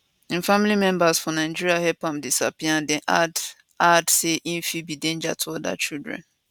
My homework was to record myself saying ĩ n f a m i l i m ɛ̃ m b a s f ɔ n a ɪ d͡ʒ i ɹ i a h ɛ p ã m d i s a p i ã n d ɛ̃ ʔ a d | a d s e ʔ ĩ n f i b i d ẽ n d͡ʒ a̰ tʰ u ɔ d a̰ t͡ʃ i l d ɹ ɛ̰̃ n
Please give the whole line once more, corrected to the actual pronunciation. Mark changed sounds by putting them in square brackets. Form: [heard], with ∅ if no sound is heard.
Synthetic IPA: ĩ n f a m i l i m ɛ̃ m b a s f ɔ n a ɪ d͡ʒ i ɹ i a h ɛ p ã m d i s a p i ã n d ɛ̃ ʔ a d | a d s e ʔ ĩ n f i b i d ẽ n d͡ʒ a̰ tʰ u ɔ d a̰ t͡ʃ i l d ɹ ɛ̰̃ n

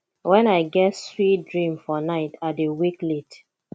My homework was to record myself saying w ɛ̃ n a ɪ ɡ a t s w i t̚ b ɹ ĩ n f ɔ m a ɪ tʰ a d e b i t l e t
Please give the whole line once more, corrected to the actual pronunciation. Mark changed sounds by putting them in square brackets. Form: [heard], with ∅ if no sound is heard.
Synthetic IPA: w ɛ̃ n a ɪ ɡ [ɛ] t s w i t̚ [d] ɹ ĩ [m] f ɔ [n] a ɪ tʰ a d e [w] i [k] l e t

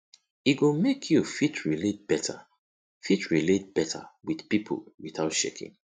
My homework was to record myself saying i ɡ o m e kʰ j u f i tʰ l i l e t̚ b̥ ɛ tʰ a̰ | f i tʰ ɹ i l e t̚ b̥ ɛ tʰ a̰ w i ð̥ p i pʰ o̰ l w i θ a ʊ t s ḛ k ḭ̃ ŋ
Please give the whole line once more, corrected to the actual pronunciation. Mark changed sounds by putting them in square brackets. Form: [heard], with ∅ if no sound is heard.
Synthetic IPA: i ɡ o m e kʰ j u f i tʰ [ɹ] i l e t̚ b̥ ɛ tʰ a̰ | f i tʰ ɹ i l e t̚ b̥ ɛ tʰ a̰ w i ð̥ p i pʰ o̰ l w i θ a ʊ t [ʃ] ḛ k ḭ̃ ŋ

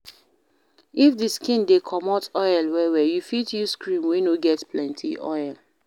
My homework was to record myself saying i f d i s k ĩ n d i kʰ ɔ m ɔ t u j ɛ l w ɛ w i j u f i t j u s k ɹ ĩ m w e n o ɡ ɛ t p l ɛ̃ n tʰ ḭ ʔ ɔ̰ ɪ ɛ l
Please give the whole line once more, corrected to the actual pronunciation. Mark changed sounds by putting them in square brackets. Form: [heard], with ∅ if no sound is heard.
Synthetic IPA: i f d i s k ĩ n d [e] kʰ ɔ m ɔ t [ɔ] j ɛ l w ɛ w [ɛ] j u f i t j u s k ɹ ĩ m w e n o ɡ ɛ t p l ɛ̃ n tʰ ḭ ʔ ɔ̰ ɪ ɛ l

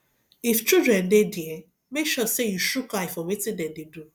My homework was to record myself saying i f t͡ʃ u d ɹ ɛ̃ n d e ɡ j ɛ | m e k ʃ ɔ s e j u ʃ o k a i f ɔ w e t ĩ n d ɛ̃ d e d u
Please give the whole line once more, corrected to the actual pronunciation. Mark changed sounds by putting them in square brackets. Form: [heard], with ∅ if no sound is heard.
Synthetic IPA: i f t͡ʃ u d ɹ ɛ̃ n d e [d] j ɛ | m e k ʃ ɔ s e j u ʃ [u] k a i f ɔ w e t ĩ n d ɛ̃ d e d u

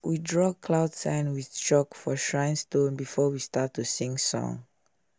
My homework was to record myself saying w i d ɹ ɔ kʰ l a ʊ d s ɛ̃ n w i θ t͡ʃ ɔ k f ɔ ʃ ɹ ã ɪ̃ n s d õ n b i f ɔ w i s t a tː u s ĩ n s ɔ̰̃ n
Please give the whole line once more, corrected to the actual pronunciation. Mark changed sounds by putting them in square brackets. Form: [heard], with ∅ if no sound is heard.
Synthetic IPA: w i d ɹ ɔ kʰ l a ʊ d s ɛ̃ n w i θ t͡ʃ ɔ k f ɔ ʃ ɹ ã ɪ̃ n s [t] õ n b i f ɔ w i s t a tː u s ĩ [ŋ] s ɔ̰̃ [ŋ]

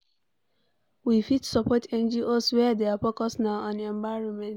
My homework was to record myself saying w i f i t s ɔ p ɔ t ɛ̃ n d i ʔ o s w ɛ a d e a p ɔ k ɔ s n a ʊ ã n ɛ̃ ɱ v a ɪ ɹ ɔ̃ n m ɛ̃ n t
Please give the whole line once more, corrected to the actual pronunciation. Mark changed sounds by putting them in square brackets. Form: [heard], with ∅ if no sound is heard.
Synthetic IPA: w i f i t s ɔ p ɔ t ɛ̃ n [d͡ʒ] i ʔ o s w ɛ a d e a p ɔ k ɔ s n a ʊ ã n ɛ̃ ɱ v a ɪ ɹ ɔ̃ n m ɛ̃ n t

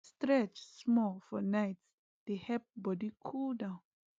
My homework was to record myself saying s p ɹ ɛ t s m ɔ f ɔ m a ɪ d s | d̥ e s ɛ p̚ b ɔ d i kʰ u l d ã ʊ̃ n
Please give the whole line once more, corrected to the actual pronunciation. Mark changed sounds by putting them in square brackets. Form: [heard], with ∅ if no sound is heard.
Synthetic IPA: s [t] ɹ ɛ [t͡ʃ] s m ɔ f ɔ [n] a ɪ [t] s | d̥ e [h] ɛ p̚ b ɔ d i kʰ u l d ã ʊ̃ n

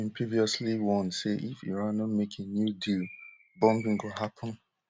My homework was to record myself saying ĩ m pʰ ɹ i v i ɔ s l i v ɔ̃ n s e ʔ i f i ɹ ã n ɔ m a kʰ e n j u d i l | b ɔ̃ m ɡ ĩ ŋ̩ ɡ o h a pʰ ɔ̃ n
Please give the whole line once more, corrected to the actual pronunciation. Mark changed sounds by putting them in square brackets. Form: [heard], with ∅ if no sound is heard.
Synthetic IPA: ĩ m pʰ ɹ i v i ɔ s l i [w] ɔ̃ n s e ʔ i f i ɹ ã n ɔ m [e] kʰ e n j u d i l | b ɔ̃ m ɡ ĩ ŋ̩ ɡ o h a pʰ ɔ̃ n

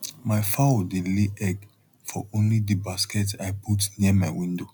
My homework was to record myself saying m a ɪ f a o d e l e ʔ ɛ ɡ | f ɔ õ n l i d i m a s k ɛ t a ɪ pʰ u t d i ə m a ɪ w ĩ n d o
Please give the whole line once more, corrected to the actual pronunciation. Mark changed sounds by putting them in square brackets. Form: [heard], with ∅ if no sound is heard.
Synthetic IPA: m a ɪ f a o d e l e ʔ ɛ ɡ | f ɔ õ n l i d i [b] a s k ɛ t a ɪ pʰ u t [n] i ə m a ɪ w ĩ n d o

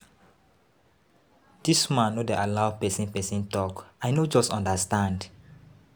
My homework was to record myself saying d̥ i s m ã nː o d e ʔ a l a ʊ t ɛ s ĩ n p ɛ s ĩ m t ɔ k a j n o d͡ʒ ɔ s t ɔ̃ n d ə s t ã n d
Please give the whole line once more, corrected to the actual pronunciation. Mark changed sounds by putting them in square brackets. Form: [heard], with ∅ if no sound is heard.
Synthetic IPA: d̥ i s m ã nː o d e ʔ a l a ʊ [p] ɛ s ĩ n p ɛ s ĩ [n] t ɔ k a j n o d͡ʒ ɔ s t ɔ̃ n d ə s t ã n d

